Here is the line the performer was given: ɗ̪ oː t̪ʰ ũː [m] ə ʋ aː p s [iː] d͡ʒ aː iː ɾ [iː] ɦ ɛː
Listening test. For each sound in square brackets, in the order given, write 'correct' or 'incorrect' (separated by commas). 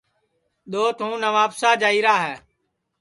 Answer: incorrect, incorrect, incorrect